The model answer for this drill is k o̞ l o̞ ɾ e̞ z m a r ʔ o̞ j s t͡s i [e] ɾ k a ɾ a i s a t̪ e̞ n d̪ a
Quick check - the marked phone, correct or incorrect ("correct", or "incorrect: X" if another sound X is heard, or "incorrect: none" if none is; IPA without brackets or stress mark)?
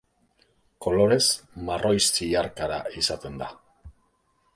incorrect: a